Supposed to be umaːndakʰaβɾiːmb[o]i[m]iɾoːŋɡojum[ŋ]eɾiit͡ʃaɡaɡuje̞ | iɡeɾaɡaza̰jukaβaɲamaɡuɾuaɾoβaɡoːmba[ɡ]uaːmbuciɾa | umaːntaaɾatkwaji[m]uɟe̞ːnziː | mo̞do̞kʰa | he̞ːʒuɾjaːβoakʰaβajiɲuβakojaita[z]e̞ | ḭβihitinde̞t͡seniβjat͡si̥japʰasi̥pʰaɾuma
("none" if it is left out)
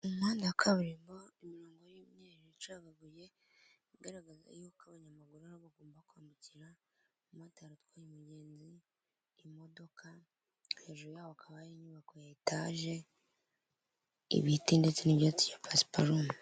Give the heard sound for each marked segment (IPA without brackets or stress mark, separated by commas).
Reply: o, m, ɲ, k, m, ʒ